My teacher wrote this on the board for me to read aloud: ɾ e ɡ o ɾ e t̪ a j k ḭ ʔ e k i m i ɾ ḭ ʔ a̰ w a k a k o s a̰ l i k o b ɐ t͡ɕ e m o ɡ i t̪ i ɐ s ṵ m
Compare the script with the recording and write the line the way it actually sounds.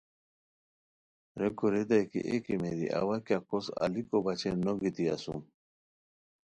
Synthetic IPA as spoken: ɾ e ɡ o ɾ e d̪ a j k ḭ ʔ e k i m e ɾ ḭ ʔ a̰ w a k a k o s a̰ l i k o b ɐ t͡ɕ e n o ɡ i t̪ i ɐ s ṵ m

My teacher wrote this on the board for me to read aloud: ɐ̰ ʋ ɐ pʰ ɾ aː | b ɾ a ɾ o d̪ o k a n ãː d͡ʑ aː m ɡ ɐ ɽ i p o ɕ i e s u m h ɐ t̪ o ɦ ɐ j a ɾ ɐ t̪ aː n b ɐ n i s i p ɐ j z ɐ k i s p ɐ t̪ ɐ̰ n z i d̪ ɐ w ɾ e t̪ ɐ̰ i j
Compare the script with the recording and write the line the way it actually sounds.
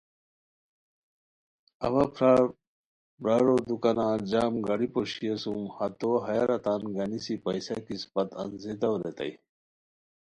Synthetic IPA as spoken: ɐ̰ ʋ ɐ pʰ ɾ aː | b ɾ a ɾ o d̪ u k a n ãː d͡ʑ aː m ɡ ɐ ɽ i p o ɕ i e s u m h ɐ t̪ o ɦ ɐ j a ɾ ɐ t̪ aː n ɡ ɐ n i s i p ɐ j s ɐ k i s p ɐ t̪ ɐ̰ n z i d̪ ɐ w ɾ e t̪ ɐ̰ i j

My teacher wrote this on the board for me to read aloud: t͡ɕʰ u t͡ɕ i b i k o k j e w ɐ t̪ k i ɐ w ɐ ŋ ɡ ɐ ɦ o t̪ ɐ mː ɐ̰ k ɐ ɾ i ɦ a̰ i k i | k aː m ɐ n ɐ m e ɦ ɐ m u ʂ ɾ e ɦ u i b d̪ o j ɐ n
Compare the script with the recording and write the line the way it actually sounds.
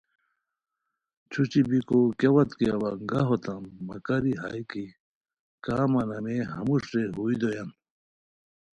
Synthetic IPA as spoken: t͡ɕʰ u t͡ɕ i b i k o k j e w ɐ t̪ k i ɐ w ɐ ŋ ɡ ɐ ɦ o t̪ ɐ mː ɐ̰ k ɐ ɾ i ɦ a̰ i k i | k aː m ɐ n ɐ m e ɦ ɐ m u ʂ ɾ e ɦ u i d̪ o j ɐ n

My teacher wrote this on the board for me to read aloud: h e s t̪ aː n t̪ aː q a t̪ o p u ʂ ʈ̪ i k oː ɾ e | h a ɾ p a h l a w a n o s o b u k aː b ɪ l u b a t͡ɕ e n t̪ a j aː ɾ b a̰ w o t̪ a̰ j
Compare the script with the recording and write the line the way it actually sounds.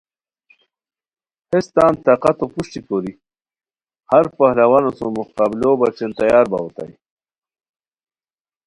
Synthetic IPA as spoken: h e s t̪ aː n t̪ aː q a t̪ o p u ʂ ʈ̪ i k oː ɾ i | h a ɾ p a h l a w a n o s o m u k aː b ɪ l o b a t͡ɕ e n t̪ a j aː ɾ b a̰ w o t̪ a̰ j

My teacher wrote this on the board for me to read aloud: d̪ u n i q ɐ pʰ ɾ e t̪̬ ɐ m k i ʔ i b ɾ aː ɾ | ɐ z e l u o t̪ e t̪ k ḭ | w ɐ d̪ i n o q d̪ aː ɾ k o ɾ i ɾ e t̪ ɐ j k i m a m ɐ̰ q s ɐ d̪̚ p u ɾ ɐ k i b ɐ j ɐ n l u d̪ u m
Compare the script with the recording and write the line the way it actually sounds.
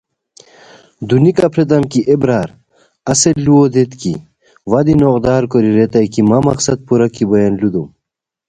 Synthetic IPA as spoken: d̪ u n i k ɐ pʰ ɾ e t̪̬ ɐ m k i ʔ e b ɾ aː ɾ | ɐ s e l u o d̪ e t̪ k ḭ | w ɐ d̪ i n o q d̪ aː ɾ k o ɾ i ɾ e t̪ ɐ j k i m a m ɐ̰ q s ɐ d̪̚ p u ɾ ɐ k i b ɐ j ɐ n l u d̪ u m

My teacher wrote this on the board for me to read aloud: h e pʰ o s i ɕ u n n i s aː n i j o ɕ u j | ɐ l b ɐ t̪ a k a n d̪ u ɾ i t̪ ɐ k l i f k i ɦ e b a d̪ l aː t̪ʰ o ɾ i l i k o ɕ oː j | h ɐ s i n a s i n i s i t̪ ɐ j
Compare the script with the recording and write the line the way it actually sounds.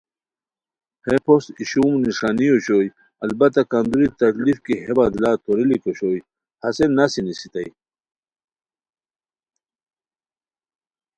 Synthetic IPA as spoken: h e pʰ o s i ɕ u m n i ʂ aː n i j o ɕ o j | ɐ l b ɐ t̪ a k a n d̪ u ɾ i t̪ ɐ k l i f k i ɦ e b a d̪ l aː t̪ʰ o ɾ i l i k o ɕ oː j | h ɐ s e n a s i n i s i t̪ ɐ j

